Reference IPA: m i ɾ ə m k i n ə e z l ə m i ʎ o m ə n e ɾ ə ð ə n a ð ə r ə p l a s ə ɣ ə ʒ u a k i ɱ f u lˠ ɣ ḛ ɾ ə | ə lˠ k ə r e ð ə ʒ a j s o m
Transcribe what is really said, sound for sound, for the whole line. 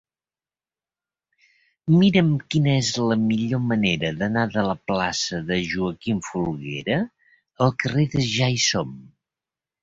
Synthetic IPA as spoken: m i ɾ ə m k i n ə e z l ə m i ʎ o m ə n e ɾ ə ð ə n a ð ə l ə p l a s ə ð ə ʒ u ə k i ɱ f u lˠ ɣ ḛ ɾ ə | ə lˠ k ə r e ð ə ʒ a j s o m